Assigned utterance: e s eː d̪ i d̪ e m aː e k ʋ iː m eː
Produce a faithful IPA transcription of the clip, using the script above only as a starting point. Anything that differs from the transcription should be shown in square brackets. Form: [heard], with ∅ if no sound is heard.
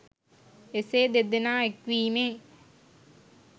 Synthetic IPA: e s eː d̪ [e] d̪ e [n] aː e k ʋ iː m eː

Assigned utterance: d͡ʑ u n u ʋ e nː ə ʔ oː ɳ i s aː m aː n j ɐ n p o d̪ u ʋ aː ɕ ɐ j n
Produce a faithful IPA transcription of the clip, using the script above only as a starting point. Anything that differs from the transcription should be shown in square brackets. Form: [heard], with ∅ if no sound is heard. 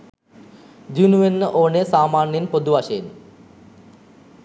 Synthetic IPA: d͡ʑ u n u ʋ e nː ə ʔ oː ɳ [e] s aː m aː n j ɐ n p o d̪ u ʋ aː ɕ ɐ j n

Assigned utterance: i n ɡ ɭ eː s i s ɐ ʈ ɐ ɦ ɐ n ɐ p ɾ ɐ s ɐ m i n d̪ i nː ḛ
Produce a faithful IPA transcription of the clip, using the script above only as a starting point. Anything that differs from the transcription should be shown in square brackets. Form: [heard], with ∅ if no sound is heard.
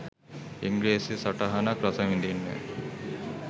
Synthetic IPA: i [ŋ] ɡ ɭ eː s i s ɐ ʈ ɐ ɦ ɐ n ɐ [k] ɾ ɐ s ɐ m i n d̪ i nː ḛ

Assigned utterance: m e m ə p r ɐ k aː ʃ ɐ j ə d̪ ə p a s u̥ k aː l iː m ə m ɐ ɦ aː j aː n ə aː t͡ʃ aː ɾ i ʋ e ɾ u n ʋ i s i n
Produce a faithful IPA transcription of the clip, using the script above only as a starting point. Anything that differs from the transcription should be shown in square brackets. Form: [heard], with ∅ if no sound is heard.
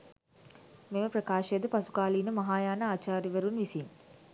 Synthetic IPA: m e m ə p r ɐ k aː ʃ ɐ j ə d̪ ə p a s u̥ k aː l iː [n] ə m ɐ ɦ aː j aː n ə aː t͡ʃ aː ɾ i ʋ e ɾ u n ʋ i s i n

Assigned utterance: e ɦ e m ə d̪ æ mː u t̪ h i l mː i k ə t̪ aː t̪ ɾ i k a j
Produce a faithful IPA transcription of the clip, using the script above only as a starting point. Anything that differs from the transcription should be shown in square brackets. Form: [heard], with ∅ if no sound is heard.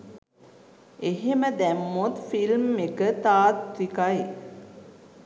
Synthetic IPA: e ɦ e m ə d̪ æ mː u t̪ [f] i l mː [e] k ə t̪ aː t̪ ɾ i k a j

